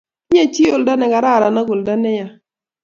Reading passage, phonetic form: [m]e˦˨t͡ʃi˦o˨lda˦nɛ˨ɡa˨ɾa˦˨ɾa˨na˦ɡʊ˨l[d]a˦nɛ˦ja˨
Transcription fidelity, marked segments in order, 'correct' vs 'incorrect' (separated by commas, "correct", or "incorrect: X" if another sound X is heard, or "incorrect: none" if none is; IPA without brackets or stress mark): incorrect: ɲ, correct